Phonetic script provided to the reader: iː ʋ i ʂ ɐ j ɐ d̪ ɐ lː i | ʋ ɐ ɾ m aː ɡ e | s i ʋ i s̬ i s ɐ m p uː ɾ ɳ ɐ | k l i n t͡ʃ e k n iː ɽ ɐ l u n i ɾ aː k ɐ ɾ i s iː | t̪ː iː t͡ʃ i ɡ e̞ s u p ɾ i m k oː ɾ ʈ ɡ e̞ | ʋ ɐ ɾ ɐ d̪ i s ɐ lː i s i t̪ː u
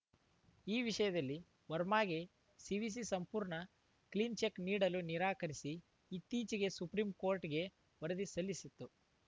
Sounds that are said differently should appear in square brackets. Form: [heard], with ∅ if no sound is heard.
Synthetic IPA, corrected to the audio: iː ʋ i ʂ ɐ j ɐ d̪ ɐ lː i | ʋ ɐ ɾ m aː ɡ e | s i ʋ i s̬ i s ɐ m p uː ɾ ɳ ɐ | k l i n t͡ʃ e k n iː ɽ ɐ l u n i ɾ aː k ɐ ɾ i s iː | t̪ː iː t͡ʃ i ɡ e̞ s u p ɾ i m k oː ɾ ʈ ɡ e̞ | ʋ ɐ ɾ ɐ d̪ i s ɐ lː i s i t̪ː u